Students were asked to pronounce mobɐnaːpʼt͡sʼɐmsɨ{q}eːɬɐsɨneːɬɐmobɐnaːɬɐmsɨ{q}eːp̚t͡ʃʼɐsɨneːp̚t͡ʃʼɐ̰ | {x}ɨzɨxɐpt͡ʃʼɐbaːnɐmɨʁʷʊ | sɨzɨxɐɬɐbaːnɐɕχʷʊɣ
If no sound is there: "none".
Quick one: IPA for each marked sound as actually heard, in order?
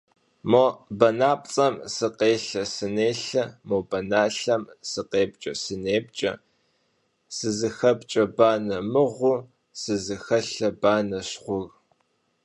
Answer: q, q, s

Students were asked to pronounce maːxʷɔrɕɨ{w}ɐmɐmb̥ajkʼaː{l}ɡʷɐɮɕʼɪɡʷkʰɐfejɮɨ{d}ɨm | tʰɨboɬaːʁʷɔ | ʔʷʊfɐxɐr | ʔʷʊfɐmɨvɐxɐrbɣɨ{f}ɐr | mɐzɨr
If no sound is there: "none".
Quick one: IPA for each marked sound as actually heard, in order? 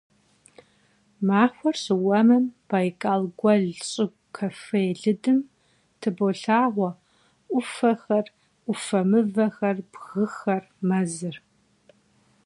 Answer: w, l, d, x

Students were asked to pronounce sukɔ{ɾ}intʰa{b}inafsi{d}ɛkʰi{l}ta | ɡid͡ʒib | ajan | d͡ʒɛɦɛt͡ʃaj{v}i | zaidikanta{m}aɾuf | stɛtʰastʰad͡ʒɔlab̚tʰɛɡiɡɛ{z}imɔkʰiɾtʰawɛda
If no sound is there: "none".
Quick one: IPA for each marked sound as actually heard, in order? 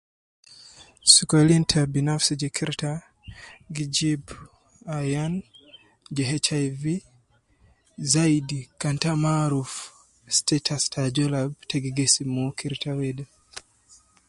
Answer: l, b, d͡ʒ, ɾ, v, m, s

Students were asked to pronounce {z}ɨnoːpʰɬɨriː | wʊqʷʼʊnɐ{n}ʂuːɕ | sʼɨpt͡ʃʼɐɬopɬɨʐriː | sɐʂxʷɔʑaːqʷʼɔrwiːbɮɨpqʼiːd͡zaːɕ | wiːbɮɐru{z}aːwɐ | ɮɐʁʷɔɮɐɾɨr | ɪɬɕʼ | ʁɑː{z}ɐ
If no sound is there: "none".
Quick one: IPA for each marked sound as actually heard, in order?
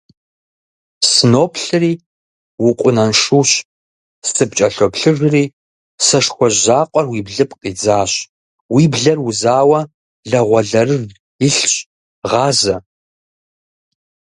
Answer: s, n, z, z

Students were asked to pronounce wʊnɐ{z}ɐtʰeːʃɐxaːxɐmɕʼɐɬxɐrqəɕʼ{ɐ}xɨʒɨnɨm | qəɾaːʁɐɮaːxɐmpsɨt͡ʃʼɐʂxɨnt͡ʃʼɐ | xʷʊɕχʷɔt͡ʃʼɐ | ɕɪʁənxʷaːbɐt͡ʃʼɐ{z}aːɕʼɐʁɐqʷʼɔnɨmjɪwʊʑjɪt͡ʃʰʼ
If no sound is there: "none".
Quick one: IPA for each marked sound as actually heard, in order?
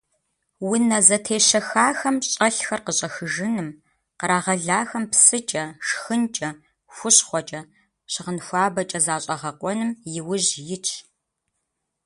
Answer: z, ɐ, z

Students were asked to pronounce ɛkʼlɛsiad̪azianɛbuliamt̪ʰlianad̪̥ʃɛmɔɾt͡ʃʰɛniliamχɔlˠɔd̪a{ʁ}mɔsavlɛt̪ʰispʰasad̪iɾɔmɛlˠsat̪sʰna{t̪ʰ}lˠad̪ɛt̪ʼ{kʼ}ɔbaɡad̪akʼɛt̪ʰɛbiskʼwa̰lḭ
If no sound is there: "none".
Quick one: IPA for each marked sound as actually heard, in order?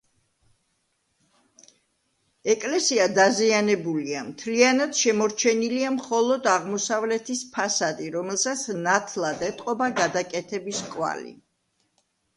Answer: ʁ, t̪ʰ, qʼ

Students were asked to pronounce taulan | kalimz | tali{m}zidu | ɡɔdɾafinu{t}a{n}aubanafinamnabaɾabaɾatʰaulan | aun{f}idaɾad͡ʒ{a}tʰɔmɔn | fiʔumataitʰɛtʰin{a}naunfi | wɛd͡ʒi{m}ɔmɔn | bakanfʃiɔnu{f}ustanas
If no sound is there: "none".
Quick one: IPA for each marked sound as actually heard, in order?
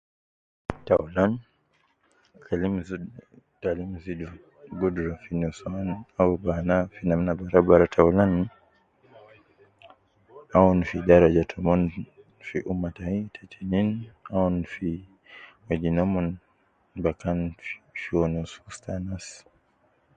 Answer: m, s, n, f, a, i, n, s

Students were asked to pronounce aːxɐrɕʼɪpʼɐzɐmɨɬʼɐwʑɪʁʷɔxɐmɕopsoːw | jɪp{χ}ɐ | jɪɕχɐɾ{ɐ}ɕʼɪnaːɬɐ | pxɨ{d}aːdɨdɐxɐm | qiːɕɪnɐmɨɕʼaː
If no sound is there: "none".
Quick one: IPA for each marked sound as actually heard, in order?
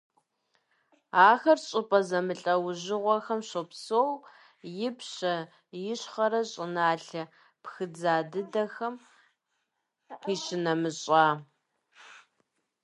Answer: ɕ, ɐ, d͡z

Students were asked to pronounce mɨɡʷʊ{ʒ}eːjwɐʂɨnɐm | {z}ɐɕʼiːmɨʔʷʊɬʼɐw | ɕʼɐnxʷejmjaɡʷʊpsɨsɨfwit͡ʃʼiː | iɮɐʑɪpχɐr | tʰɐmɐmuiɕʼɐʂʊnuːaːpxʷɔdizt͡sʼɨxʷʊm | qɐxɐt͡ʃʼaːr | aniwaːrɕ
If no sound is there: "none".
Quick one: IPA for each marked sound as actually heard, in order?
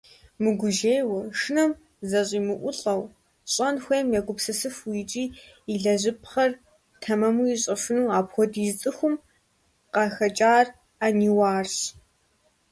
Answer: ʒ, z

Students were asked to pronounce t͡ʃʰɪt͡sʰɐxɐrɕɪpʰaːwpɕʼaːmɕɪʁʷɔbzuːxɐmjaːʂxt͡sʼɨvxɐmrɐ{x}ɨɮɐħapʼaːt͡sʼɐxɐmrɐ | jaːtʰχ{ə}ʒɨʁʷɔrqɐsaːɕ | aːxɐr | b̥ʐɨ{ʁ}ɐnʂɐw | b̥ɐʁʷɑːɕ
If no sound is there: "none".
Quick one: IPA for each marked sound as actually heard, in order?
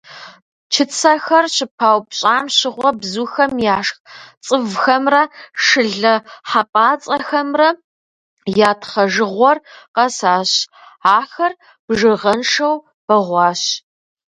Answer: ʂ, ɐ, ʁ

